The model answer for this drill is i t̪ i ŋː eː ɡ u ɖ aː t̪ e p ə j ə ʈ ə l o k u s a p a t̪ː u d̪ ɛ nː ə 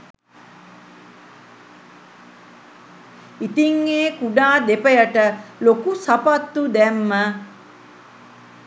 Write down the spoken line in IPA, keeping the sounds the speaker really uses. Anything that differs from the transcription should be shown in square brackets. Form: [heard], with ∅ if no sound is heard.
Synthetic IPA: i t̪ i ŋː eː [k] u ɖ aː [d̪] e p ə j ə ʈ ə l o k u s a p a t̪ː u d̪ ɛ [mː] ə